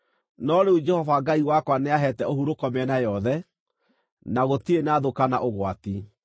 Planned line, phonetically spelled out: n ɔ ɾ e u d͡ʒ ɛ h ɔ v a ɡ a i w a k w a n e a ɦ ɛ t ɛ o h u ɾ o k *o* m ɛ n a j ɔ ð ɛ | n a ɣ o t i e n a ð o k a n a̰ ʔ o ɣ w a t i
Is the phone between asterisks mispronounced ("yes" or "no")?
yes